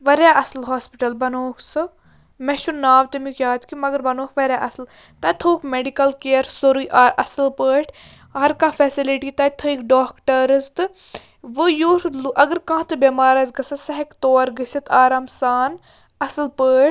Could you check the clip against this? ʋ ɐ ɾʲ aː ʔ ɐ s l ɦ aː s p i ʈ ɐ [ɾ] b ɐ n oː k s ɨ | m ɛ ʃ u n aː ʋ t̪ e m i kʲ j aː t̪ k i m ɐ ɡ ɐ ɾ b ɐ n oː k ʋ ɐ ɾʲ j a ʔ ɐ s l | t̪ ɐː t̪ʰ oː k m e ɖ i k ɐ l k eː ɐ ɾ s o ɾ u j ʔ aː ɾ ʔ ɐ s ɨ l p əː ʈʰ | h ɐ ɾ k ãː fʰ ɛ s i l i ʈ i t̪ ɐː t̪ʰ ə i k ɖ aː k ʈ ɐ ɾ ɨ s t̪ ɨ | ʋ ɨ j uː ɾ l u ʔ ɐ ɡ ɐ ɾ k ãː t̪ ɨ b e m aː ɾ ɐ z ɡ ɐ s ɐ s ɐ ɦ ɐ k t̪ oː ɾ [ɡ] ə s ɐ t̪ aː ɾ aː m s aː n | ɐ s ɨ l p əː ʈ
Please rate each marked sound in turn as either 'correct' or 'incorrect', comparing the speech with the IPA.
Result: incorrect, correct

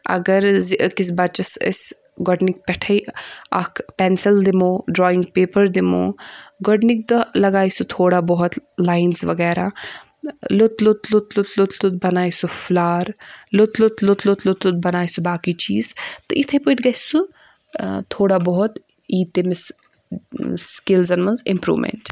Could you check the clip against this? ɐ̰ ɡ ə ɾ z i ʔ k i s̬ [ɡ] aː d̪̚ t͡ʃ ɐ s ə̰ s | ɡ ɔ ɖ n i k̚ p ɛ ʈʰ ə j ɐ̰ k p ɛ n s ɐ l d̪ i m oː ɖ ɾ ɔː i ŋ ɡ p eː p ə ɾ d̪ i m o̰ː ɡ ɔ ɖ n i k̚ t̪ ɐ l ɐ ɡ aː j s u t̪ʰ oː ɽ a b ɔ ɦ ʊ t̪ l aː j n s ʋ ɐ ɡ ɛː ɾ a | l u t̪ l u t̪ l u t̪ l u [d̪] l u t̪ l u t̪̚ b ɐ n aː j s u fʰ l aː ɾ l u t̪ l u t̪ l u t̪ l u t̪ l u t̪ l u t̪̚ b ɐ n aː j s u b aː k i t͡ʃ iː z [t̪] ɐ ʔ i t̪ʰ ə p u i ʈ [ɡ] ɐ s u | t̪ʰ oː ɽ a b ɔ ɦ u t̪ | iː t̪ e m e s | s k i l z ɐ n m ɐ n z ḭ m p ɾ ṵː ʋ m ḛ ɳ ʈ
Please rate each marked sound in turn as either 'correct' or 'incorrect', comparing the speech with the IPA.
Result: incorrect, incorrect, correct, correct

